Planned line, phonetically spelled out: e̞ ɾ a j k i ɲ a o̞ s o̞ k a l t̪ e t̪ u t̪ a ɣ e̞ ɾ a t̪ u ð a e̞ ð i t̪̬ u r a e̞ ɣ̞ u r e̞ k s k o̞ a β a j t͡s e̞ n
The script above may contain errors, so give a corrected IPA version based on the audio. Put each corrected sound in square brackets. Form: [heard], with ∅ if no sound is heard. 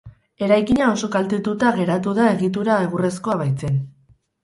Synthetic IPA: e̞ ɾ a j k i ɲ a o̞ s o̞ k a l t̪ e t̪ u t̪ a ɣ e̞ ɾ a t̪ u ð a e̞ [ɣ] i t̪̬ u [ɾ] a e̞ ɣ̞ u r e̞ [∅] s k o̞ a β a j t͡s e̞ n